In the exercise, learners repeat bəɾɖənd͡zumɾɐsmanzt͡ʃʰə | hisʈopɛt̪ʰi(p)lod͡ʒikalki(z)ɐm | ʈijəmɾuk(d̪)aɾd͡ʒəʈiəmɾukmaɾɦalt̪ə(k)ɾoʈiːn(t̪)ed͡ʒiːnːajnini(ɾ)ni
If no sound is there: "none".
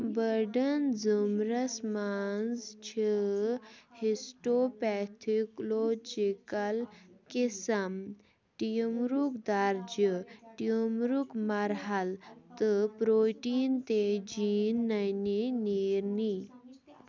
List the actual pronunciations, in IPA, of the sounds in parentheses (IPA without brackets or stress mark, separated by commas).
k, s, d̪, p, t̪, ɾ